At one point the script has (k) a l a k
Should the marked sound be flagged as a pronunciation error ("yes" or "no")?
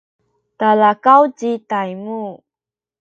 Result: yes